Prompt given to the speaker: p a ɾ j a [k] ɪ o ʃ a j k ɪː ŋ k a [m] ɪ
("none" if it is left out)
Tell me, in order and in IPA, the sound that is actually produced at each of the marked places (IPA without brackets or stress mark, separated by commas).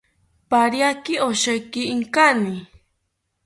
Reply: k, n